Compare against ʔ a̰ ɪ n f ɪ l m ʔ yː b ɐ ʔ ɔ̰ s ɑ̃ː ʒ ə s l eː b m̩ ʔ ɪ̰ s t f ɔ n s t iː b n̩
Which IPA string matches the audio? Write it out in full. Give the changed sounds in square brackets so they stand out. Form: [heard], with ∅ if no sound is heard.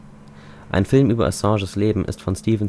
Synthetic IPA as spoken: ʔ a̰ ɪ n f ɪ l m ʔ yː b ɐ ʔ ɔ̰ s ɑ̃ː ʒ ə s l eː b m̩ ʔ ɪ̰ s t f ɔ n s t iː [v] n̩